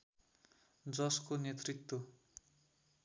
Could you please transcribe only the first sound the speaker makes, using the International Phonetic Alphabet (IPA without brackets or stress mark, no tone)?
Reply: d͡z